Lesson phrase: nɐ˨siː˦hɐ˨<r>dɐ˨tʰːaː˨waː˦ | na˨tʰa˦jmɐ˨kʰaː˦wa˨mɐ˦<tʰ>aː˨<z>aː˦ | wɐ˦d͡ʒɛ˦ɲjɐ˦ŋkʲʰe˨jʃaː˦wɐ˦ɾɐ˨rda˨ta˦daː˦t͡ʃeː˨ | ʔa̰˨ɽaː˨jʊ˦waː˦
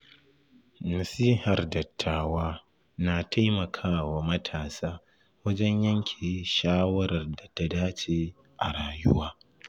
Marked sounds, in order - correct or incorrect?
correct, correct, incorrect: s

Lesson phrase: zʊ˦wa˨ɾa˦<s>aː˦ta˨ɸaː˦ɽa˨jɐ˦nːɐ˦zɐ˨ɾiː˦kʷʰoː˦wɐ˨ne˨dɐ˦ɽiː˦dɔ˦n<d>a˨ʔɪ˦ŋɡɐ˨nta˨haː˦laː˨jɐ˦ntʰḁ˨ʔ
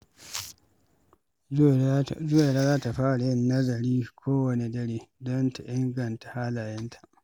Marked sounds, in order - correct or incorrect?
incorrect: z, incorrect: t

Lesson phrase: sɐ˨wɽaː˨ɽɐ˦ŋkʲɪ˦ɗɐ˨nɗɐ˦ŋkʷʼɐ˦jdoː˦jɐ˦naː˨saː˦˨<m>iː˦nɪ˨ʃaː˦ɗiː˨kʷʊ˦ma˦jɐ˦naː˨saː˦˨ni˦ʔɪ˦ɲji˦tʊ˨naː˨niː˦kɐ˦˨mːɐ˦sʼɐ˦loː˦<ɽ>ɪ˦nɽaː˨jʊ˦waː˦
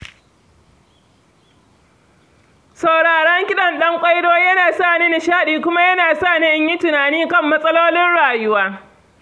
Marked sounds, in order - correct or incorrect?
incorrect: n, incorrect: l

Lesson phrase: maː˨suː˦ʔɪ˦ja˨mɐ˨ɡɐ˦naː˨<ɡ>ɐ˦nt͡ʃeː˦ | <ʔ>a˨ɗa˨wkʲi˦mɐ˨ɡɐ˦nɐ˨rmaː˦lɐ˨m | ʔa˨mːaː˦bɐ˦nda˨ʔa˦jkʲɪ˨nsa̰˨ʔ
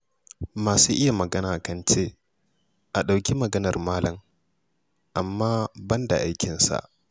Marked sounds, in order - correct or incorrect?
incorrect: k, correct

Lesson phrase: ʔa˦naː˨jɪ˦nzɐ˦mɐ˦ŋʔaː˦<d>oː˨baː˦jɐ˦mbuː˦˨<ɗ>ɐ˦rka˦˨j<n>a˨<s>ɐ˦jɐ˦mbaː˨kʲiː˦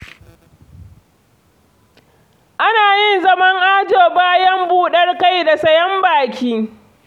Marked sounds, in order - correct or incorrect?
incorrect: d͡ʒ, correct, incorrect: d, correct

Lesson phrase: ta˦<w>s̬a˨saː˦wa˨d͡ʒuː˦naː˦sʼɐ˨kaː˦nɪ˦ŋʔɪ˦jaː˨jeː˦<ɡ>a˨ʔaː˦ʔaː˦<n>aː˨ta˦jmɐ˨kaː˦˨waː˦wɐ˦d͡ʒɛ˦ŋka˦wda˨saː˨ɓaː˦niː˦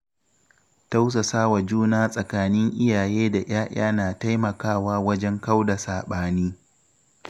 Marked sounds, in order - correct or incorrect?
correct, incorrect: d, correct

